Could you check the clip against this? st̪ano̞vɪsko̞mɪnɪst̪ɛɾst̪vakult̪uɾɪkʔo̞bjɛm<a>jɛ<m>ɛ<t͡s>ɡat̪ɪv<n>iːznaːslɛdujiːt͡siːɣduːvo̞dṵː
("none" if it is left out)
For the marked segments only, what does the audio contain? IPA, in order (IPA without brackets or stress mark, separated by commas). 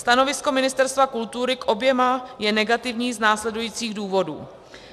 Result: a, n, none, ɲ